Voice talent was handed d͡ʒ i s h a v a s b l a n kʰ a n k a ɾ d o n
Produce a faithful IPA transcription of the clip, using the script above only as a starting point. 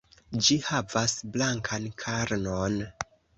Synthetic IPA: d͡ʒ i h a v a s b l a ŋ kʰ a n kʰ a ɾ n o n